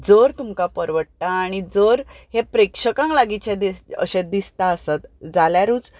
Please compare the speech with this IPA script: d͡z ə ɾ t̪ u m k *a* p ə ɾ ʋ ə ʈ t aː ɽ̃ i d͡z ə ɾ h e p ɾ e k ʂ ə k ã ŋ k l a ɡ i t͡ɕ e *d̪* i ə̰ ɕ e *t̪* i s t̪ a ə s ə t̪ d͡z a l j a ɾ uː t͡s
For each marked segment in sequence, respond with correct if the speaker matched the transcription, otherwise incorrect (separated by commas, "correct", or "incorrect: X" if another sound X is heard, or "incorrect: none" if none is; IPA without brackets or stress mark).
correct, correct, incorrect: d̪